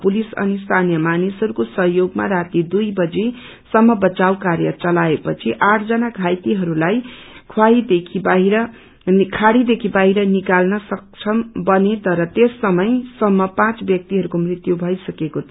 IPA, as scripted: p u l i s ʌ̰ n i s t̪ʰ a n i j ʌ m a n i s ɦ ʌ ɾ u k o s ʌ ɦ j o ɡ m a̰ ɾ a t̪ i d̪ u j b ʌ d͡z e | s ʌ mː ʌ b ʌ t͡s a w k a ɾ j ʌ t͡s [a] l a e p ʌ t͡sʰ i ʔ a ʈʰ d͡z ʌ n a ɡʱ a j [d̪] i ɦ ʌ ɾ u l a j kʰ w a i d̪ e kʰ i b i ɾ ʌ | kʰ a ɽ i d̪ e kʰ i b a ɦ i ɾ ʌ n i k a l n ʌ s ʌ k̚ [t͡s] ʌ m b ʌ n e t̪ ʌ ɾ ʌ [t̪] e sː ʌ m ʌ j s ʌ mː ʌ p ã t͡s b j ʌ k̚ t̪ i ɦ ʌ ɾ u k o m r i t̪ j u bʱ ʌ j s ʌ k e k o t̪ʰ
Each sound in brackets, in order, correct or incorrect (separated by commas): incorrect, incorrect, incorrect, correct